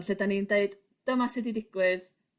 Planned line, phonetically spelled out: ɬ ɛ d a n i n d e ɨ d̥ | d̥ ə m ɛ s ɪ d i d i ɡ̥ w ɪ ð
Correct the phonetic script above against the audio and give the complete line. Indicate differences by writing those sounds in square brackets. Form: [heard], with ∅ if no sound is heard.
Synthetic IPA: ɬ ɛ d a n i n d e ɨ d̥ | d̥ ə m [a] s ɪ d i d [ɪ] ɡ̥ w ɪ ð